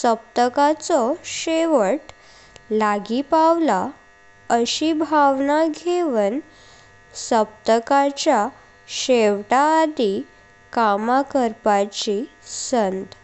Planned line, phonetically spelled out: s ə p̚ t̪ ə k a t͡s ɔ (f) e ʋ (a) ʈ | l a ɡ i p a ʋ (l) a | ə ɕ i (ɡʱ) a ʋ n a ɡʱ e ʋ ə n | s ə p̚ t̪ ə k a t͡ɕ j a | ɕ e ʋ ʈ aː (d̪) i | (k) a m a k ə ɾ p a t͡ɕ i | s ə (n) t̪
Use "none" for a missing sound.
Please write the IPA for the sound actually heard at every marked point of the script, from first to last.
ɕ, ə, l, bʱ, d̪, k, n

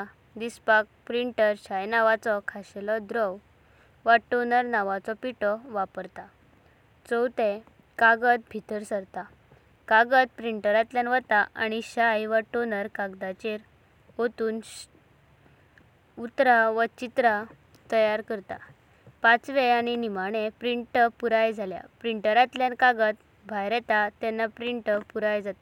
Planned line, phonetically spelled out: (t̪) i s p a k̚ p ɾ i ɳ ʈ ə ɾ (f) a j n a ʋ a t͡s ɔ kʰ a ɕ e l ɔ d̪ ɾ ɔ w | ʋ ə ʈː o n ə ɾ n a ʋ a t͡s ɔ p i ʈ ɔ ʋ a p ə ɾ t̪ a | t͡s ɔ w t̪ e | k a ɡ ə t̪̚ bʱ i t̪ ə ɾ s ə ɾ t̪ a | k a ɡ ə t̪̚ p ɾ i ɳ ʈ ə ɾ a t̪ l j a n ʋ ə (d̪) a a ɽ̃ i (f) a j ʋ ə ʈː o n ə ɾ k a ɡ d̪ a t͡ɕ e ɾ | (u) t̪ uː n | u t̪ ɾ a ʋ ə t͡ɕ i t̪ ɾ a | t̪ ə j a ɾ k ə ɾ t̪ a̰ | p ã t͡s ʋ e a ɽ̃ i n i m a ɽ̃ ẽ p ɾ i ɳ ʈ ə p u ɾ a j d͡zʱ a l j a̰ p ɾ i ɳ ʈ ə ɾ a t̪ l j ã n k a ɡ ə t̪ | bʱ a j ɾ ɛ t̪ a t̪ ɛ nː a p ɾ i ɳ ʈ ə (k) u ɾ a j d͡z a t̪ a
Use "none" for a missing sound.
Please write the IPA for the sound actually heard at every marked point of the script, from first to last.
d̪, ɕ, t̪, ɕ, o, p

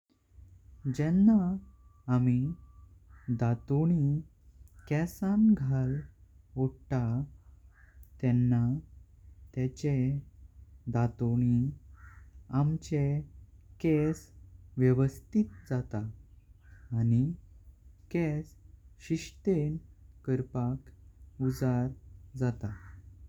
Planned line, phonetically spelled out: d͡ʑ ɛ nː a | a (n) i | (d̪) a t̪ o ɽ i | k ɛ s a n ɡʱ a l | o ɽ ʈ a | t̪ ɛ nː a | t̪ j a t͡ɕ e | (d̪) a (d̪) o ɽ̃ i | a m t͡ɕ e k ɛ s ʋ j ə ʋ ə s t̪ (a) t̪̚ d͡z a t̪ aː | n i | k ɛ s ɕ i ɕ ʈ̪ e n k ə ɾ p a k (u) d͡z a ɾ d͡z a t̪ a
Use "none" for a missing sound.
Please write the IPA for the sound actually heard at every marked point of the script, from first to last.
m, d̪, d̪, t̪, i, u

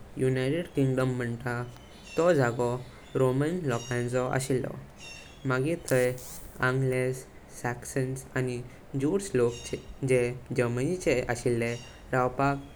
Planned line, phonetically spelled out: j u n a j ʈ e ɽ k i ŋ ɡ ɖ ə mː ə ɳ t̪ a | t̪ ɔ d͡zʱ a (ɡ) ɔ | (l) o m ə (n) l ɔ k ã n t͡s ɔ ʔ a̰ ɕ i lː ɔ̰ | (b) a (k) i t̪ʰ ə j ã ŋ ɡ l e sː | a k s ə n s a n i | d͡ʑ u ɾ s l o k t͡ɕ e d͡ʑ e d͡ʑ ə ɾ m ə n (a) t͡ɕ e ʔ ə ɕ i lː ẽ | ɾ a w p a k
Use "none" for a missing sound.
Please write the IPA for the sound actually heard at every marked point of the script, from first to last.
ɡ, ɾ, n, m, ɡ, i

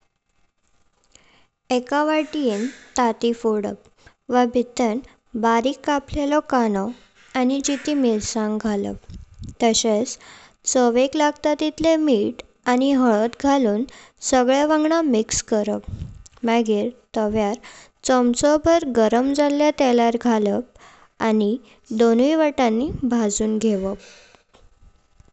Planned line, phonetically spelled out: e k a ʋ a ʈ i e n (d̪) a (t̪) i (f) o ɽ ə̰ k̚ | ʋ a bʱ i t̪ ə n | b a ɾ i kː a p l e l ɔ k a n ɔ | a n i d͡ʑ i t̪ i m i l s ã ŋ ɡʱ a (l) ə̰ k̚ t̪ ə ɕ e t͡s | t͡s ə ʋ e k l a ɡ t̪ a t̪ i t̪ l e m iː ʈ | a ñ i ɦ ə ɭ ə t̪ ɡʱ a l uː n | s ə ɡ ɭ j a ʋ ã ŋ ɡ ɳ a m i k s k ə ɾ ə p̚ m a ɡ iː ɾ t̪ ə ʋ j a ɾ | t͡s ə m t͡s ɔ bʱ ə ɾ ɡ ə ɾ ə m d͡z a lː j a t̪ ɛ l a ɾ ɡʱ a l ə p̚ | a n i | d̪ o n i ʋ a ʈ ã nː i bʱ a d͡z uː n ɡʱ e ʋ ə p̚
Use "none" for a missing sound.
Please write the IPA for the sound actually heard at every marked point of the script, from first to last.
t̪, t̪, f, l

